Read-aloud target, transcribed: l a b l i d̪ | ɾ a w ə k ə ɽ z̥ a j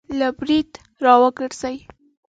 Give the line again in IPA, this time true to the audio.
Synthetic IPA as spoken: l a b ɾ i d̪ | ɾ ɑ w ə ɡ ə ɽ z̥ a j